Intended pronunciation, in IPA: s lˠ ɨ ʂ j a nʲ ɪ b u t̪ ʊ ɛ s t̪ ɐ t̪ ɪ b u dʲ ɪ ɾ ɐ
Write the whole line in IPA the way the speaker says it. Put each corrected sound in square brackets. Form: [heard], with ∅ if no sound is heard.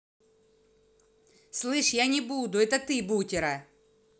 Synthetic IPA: s lˠ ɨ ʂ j a nʲ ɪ b u [d̪] ʊ ɛ [∅] t̪ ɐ t̪ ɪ b u [tʲ] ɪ ɾ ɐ